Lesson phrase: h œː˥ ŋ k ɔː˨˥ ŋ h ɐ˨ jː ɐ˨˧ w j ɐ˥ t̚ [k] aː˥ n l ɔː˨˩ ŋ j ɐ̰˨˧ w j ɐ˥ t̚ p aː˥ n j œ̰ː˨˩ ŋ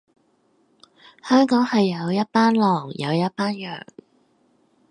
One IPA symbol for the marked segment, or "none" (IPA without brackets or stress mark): p